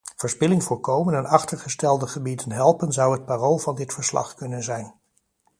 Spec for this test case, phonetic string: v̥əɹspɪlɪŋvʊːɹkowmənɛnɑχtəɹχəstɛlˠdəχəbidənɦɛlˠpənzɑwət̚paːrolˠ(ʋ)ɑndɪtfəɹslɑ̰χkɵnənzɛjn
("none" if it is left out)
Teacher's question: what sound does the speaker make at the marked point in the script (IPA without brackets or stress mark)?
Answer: v